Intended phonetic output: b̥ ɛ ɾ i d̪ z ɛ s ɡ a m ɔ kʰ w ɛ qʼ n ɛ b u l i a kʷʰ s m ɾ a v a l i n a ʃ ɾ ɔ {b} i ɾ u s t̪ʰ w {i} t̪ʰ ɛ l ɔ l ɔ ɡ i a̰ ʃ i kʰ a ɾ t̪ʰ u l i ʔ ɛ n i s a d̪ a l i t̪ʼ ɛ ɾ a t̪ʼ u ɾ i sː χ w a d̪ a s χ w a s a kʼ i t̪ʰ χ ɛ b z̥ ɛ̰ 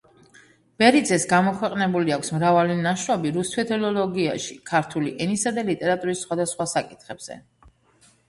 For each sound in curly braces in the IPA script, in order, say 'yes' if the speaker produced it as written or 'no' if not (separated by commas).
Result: yes, no